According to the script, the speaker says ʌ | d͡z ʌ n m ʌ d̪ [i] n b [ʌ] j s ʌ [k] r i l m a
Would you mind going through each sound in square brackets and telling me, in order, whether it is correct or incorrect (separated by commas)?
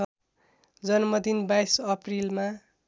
correct, incorrect, incorrect